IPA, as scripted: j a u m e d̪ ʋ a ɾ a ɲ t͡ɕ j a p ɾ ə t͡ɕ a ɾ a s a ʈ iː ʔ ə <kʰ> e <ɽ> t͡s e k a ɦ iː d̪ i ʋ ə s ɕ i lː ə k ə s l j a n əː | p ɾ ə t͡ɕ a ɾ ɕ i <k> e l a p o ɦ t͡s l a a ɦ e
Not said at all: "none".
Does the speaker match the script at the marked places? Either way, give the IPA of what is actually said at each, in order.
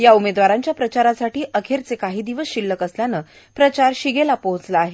kʰ, ɾ, ɡ

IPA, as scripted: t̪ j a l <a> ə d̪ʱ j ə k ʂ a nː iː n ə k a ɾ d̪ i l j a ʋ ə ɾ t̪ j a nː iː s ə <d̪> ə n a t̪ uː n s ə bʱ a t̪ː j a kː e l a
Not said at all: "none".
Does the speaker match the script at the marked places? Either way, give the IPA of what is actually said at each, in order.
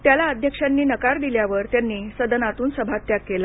a, d̪

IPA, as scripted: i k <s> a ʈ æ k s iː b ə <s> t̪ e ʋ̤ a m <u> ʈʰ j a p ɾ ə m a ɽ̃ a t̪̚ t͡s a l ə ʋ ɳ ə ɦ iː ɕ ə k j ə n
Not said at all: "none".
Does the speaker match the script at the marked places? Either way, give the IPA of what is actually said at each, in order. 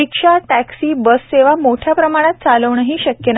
ʂ, s, o

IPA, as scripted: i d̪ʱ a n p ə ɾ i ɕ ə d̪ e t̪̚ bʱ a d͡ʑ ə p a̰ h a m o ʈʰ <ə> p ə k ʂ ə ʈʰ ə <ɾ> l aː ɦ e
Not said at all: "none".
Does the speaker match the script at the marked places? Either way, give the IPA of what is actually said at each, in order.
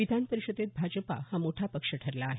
a, ɾ

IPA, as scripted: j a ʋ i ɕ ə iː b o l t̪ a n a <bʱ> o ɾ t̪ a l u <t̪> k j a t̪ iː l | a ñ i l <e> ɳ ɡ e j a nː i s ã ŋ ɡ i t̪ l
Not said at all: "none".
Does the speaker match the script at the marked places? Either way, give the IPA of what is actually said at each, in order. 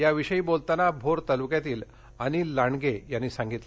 bʱ, none, a

